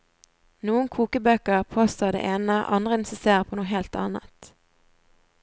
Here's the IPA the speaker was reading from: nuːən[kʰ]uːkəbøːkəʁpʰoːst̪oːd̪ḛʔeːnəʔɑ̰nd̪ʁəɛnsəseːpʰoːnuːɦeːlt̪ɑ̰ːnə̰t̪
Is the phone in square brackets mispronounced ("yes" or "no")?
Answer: no